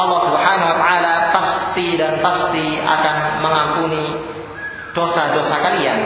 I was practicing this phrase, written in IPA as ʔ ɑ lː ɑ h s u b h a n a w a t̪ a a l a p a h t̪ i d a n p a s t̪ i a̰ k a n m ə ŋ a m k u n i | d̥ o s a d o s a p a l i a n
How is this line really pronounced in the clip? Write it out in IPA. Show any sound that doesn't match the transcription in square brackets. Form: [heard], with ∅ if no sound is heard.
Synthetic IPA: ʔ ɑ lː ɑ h s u b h a n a w a t̪ a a l a p a [s] t̪ i d a n p a s t̪ i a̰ k a n m ə ŋ a m [p] u n i | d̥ o s a d o s a [k] a l i a n